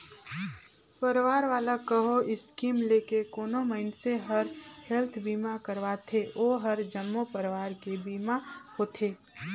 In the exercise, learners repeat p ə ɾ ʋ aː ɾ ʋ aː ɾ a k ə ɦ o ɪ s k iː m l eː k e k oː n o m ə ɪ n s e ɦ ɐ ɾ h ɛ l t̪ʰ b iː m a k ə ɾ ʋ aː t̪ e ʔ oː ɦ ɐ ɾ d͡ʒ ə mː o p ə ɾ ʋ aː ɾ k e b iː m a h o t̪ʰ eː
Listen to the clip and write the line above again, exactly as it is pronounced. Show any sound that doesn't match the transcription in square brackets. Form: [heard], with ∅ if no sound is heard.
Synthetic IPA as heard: p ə ɾ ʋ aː ɾ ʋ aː [l] a k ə ɦ o ɪ s k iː m l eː k e k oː n o m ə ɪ n s e ɦ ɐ ɾ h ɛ l t̪ʰ b iː m a k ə ɾ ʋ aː [t̪ʰ] e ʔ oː ɦ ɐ ɾ d͡ʒ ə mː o p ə ɾ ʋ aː ɾ k e b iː m a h o t̪ʰ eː